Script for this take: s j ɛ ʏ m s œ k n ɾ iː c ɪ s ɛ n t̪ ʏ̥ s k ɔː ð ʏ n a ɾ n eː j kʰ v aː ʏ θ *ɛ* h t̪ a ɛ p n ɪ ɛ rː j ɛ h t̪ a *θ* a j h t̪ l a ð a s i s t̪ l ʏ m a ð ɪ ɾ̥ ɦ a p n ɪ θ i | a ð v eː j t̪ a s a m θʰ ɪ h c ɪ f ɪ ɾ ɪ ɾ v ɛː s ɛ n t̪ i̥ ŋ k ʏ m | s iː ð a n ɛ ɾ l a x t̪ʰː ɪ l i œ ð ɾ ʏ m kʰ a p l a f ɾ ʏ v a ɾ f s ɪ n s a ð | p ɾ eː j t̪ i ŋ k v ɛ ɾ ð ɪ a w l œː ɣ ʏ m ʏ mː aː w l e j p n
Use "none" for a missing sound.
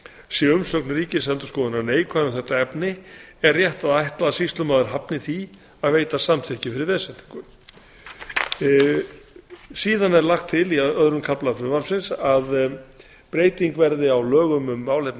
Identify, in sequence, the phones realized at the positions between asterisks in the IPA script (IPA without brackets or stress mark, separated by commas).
ɛ, ð